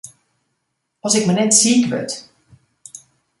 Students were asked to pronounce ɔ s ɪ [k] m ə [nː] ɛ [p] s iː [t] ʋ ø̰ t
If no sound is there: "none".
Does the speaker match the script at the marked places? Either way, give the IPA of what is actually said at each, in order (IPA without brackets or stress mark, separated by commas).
k, n, t, k